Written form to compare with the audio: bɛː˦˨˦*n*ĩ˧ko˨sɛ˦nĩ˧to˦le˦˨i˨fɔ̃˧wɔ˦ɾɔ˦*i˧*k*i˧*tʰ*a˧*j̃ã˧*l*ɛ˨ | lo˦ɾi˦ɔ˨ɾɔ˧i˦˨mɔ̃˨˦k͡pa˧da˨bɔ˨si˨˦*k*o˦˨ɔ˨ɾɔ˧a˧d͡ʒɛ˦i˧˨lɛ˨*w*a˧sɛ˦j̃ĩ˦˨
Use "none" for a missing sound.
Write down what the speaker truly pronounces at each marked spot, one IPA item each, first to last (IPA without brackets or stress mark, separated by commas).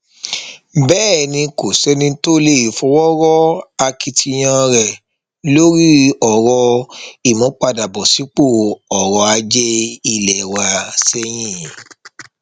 n, a˧, i˧, i˧, ɾ, k͡p, w